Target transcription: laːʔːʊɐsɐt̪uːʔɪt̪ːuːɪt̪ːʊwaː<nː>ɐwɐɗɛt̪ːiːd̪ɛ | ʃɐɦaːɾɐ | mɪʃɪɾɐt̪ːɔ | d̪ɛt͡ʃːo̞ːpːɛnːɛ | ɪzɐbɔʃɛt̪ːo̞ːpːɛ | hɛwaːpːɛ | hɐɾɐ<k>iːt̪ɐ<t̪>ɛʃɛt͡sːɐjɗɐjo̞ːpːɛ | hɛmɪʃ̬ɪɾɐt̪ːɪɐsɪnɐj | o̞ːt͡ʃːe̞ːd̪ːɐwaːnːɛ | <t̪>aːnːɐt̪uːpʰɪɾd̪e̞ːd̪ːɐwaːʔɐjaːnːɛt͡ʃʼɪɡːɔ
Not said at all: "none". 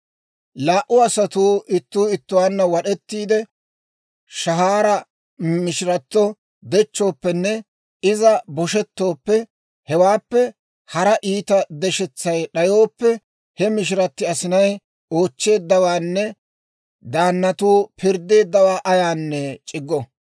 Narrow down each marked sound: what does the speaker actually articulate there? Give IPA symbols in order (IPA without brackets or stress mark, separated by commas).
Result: nː, ʔ, d̪, d̪